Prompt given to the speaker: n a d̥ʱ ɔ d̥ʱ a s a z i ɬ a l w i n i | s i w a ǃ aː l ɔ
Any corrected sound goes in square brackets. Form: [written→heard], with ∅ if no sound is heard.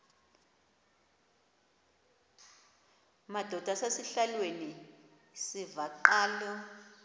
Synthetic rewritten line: [n→m] a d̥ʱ ɔ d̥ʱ a s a [z→s] i ɬ a l w [i→e] n i | s i [w→v] a ǃ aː l ɔ